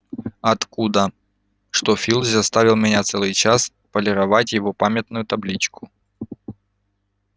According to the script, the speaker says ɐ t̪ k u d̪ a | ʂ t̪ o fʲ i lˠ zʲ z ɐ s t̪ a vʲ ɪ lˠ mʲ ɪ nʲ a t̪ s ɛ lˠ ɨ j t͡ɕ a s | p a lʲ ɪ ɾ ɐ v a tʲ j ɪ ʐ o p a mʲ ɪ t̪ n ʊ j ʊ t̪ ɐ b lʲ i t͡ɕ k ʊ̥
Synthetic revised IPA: ɐ t̪ k u d̪ ə | ʂ t̪ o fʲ i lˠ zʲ z ɐ s t̪ a vʲ ɪ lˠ mʲ ɪ nʲ a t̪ s ɛ lˠ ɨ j t͡ɕ a s | p ə lʲ ɪ ɾ ɐ v a tʲ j ɪ v o p a mʲ ɪ t̪ n ʊ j ʊ t̪ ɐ b lʲ i t͡ɕ k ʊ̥